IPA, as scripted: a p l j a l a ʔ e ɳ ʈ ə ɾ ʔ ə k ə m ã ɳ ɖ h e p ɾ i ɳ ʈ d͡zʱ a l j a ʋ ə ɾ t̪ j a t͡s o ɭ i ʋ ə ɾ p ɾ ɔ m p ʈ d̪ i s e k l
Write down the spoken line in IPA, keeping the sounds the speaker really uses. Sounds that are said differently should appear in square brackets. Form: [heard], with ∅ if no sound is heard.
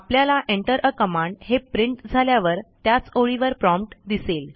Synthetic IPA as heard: a p l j a l a ʔ e ɳ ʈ ə ɾ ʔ ə k ə m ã ɳ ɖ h e p ɾ i ɳ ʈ d͡zʱ a l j a ʋ ə ɾ t̪ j a t͡s o ɭ i ʋ ə ɾ p ɾ ɔ m p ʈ d̪ i s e [∅] l